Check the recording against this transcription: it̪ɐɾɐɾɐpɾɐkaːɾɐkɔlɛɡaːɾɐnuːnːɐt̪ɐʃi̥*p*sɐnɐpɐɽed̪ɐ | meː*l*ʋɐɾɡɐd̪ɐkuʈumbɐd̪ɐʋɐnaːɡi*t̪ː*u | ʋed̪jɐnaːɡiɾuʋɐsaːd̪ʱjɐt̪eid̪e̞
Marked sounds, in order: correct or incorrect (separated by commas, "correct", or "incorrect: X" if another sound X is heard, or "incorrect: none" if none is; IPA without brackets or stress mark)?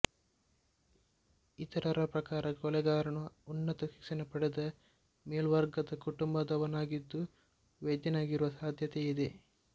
incorrect: k, correct, incorrect: d̪ː